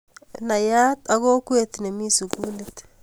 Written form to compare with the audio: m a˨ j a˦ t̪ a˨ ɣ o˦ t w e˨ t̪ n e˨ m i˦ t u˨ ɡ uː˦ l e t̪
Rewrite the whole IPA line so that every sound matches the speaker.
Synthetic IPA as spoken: n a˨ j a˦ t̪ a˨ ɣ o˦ k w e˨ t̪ n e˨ m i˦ s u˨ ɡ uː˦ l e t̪